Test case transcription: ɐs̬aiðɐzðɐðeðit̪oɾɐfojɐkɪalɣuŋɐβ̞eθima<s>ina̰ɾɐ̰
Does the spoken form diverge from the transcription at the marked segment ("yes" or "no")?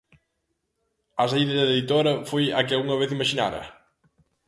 yes